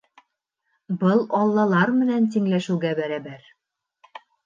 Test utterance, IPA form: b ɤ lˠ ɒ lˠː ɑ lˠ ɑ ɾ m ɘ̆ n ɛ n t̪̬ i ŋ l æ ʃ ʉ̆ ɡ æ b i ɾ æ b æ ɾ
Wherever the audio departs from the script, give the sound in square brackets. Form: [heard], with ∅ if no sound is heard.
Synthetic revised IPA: b ɤ lˠ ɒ lˠː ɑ lˠ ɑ ɾ m ɘ̆ n [æ] n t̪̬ i ŋ l æ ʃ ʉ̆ ɡ æ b [æ] ɾ æ b æ ɾ